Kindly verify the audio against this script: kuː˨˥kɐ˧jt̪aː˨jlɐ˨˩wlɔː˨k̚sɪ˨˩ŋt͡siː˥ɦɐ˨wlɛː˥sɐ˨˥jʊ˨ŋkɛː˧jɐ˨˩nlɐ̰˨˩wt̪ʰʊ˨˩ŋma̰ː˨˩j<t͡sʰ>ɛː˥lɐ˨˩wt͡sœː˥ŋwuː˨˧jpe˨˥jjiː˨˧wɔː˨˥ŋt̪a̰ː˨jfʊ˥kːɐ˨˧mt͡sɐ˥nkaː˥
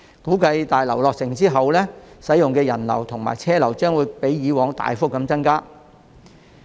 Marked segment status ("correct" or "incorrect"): correct